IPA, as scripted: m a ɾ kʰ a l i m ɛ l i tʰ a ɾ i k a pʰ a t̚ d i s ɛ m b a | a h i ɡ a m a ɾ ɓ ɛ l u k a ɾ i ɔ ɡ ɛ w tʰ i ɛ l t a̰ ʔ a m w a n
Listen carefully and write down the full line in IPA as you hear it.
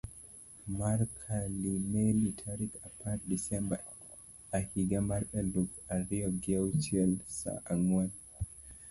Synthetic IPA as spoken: m a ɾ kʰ a l i m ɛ l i tʰ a ɾ i k a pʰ a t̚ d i s ɛ m b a | a h i ɡ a m a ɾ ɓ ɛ l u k a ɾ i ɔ ɡ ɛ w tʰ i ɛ l s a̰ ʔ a ŋ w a n